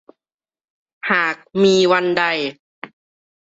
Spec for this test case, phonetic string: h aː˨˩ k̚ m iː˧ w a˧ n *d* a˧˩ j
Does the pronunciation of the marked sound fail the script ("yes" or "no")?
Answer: no